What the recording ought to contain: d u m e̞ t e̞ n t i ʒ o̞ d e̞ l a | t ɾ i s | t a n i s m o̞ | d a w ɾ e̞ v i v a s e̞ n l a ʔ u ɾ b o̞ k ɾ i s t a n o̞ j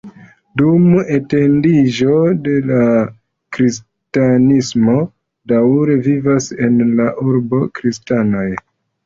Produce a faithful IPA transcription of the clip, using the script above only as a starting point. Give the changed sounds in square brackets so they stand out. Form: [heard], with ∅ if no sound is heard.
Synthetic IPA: d u m e̞ t e̞ n [d] i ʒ o̞ d e̞ l a | [k] ɾ i s | t a n i s m o̞ | d a w ɾ e̞ v i v a s e̞ n l a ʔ u ɾ b o̞ k ɾ i s t a n o̞ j